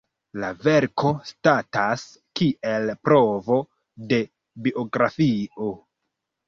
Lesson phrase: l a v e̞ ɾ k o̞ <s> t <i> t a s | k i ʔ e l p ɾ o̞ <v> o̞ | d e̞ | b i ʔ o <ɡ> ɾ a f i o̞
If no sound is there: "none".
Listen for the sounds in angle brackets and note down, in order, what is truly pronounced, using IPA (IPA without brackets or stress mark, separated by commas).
s, a, v, ɡ